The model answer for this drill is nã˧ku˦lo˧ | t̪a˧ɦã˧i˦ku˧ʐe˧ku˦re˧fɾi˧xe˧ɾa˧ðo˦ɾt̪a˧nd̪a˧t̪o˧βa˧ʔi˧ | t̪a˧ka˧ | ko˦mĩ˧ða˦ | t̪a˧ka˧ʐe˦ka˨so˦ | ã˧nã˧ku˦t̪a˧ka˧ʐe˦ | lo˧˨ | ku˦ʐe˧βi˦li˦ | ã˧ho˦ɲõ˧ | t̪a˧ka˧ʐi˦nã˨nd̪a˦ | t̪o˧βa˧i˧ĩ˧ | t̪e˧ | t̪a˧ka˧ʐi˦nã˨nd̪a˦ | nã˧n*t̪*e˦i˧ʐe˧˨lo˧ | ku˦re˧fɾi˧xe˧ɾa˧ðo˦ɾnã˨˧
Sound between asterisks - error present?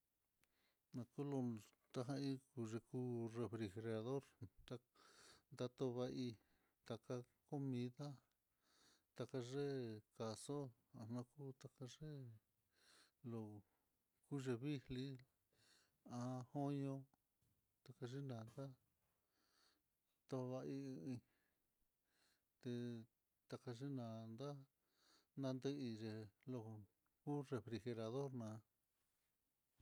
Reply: yes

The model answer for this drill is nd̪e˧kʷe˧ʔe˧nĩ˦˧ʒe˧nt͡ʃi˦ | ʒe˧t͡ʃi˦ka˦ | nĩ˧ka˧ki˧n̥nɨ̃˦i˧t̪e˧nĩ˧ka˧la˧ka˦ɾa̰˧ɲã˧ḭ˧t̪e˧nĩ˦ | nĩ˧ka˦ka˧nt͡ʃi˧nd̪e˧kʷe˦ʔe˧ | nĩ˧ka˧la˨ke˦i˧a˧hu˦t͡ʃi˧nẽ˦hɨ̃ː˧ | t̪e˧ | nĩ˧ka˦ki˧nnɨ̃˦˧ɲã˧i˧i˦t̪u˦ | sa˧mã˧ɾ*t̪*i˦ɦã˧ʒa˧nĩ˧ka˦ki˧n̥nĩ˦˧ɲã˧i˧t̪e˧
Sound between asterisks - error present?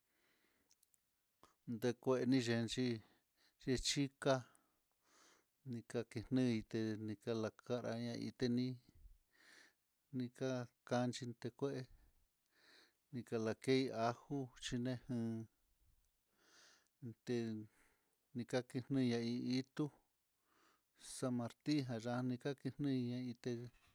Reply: no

